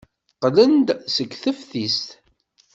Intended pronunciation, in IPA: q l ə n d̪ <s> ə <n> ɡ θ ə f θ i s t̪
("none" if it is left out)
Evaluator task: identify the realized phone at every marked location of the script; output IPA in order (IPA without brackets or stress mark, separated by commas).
s, none